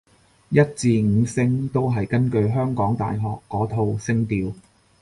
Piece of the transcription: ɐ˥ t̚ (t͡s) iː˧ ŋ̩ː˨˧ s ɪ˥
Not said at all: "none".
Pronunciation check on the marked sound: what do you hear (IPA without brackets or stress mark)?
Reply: t͡s